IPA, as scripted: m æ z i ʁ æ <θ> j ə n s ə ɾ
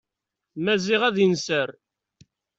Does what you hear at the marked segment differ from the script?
yes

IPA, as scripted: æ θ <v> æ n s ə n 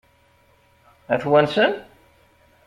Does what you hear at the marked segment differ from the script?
yes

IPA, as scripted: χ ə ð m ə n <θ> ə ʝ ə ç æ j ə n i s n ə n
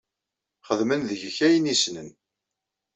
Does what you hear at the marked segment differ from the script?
yes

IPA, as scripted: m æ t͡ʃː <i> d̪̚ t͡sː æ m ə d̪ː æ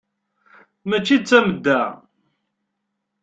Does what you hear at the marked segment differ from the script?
no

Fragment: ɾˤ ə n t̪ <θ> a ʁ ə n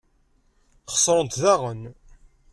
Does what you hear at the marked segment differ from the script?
yes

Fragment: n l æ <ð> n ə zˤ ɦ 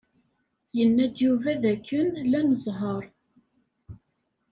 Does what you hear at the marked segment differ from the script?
yes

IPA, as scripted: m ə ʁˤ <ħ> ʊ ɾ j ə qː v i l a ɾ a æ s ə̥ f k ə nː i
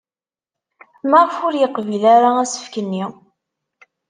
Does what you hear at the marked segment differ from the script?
yes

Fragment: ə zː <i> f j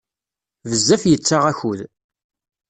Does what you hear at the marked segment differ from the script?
yes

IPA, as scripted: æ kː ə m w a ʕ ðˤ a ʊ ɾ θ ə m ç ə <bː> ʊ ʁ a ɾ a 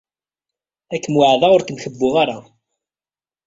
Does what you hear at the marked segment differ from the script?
no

